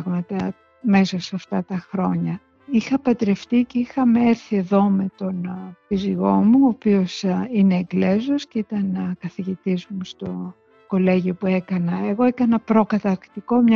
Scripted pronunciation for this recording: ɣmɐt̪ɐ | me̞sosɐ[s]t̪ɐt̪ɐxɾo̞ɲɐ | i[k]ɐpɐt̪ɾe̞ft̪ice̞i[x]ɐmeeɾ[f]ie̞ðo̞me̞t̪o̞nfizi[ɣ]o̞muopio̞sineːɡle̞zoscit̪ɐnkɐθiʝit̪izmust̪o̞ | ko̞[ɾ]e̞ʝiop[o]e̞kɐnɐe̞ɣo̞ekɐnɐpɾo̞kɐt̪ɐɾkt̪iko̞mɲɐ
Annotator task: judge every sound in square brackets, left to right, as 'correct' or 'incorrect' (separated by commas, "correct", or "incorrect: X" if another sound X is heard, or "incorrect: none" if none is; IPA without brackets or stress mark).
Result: incorrect: f, incorrect: x, correct, incorrect: θ, correct, incorrect: l, incorrect: u